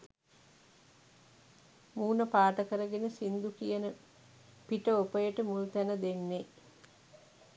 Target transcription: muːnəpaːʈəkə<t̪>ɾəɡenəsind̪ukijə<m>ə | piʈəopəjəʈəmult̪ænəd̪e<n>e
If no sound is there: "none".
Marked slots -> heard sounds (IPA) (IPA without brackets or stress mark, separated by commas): none, n, nː